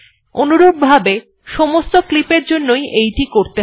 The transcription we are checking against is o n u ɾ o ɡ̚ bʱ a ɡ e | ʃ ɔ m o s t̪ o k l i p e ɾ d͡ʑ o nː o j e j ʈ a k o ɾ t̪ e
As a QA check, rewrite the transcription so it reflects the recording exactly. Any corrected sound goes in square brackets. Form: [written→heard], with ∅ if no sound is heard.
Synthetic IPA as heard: o n u ɾ o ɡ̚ bʱ a [ɡ→b] e | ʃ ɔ m o s t̪ o k l i p e ɾ d͡ʑ o nː o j e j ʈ [a→i] k o ɾ t̪ e